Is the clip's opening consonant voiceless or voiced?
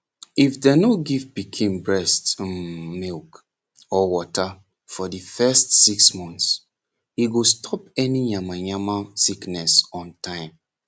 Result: voiceless